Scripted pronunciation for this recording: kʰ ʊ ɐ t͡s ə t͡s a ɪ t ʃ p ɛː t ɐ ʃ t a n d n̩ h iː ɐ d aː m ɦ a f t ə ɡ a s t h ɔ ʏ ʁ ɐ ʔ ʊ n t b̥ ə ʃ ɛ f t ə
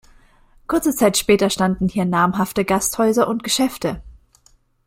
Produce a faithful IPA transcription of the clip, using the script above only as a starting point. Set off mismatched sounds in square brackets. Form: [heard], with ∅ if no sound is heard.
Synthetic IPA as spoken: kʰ ʊ ɐ t͡s ə t͡s a ɪ t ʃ p ɛː t ɐ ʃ t a n d n̩ h iː ɐ [n] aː m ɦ a f t ə ɡ a s t h ɔ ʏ [z] ɐ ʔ ʊ n t [ɡ̥] ə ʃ ɛ f t ə